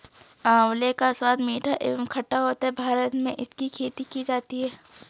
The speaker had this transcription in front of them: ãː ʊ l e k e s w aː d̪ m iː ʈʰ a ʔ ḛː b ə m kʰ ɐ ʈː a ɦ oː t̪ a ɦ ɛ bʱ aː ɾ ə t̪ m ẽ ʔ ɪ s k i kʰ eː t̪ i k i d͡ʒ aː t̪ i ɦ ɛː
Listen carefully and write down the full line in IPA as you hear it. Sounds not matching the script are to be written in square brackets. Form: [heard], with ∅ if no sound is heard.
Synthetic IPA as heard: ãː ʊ l e k [a] s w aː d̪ m iː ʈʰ a ʔ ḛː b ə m kʰ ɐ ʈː a ɦ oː t̪ a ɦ ɛ bʱ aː ɾ ə t̪ m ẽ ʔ ɪ s k i kʰ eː t̪ i k i d͡ʒ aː t̪ i ɦ ɛː